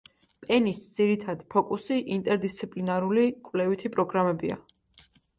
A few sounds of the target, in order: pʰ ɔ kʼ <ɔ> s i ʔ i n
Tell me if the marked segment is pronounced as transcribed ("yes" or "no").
no